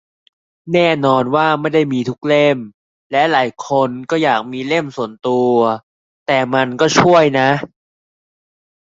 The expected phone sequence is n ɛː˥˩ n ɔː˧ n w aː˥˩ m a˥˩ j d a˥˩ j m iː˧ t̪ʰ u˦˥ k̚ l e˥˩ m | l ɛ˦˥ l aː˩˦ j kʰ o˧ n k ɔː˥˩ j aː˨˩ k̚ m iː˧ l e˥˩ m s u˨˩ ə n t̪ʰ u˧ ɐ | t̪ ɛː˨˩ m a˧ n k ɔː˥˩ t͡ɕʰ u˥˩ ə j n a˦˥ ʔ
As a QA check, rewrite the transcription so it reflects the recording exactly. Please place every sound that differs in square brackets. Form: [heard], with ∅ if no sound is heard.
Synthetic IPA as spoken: n ɛː˥˩ n ɔː˧ n w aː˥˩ m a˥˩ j d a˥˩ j m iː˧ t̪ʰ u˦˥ k̚ l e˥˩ m | l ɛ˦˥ l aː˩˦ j kʰ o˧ n k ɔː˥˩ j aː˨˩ k̚ m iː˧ l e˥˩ m s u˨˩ ə n [t̪] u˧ ɐ | t̪ ɛː˨˩ m a˧ n k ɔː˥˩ t͡ɕʰ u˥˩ ə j n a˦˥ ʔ